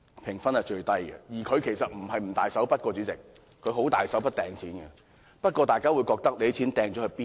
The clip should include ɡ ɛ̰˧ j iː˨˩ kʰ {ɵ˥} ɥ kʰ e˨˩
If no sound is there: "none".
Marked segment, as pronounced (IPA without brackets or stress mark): ɵ˨˧